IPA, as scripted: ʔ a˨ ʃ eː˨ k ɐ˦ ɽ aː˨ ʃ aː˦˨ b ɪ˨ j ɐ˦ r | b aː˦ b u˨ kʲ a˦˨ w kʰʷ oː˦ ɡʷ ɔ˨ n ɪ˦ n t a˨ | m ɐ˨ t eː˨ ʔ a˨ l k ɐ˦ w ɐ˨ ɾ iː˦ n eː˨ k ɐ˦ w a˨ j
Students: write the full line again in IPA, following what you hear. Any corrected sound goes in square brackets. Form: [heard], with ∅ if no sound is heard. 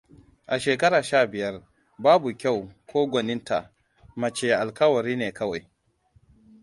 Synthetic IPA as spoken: ʔ a˨ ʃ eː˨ k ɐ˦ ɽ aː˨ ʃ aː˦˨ b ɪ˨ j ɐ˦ r | b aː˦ b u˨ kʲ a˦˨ w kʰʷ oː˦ ɡʷ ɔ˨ n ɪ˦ n t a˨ | m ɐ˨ [t͡ʃ] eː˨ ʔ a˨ l k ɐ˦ w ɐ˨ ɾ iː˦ n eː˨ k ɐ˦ w a˨ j